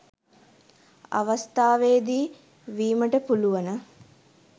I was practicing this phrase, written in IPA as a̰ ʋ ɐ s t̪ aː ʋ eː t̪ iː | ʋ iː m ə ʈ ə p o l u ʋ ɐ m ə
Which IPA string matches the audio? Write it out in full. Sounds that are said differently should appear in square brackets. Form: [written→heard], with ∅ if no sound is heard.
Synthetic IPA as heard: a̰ ʋ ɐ s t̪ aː ʋ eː [t̪→d̪] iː | ʋ iː m ə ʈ ə p [o→u] l u ʋ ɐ [m→n] ə